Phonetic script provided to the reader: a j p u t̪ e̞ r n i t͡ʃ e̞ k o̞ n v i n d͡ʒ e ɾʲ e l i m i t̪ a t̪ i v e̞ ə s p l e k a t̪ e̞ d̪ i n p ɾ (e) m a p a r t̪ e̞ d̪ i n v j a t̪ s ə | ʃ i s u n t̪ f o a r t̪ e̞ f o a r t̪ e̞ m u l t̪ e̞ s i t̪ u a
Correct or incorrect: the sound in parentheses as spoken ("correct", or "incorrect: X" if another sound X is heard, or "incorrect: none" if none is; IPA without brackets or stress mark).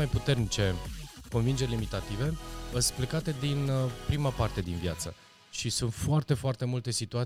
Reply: incorrect: i